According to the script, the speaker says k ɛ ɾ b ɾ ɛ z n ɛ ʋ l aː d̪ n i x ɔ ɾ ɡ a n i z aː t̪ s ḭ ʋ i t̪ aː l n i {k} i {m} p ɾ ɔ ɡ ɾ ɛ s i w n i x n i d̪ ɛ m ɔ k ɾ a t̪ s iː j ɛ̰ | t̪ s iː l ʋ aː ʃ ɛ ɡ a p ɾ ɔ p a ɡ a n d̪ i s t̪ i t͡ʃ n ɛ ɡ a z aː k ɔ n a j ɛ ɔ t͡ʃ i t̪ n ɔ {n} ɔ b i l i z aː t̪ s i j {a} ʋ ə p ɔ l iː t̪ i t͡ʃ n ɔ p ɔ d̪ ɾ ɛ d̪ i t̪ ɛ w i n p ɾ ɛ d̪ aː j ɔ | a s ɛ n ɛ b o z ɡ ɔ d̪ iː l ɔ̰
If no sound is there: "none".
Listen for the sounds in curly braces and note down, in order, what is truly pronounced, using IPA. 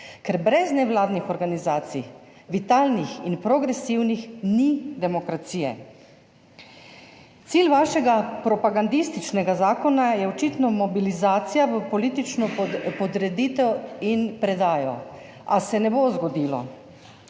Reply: x, n, m, a

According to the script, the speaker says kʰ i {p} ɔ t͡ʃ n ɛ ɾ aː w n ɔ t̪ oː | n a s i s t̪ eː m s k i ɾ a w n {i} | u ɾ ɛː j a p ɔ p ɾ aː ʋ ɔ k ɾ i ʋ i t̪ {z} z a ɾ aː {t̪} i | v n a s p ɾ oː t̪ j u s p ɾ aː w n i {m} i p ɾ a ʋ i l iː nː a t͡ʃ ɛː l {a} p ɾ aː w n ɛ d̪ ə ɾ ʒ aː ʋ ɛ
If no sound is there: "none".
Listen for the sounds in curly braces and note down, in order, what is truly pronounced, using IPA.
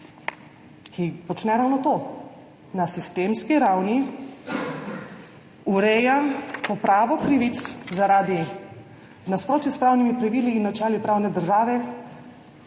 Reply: p, i, s, d̪, m, i

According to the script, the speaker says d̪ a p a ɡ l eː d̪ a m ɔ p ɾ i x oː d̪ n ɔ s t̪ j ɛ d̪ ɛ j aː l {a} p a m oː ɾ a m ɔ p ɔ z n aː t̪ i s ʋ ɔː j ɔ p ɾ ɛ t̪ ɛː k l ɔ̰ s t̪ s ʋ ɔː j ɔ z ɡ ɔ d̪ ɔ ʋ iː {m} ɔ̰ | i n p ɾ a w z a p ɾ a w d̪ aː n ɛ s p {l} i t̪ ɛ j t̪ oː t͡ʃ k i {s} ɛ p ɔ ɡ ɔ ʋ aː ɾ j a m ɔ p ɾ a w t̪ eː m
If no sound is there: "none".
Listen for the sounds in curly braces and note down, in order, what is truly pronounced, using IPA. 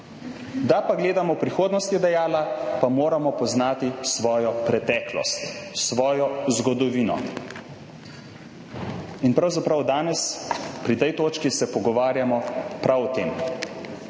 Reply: a, n, ɾ, s

